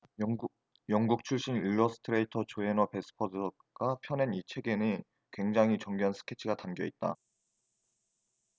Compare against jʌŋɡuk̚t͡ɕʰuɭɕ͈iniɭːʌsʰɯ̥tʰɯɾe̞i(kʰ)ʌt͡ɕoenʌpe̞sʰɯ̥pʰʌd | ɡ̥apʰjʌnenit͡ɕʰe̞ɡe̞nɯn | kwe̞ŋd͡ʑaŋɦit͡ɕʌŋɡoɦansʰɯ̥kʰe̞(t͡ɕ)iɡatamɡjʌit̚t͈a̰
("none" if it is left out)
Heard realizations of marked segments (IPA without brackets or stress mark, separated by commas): tʰ, t͡ɕʰ